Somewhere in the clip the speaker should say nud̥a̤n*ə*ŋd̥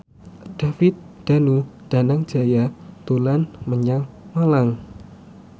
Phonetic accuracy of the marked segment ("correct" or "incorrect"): incorrect